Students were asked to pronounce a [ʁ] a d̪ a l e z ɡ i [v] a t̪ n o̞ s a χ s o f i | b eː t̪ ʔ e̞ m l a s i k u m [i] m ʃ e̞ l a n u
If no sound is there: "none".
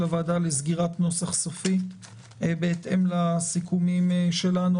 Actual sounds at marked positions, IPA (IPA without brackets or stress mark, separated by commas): v, ʁ, i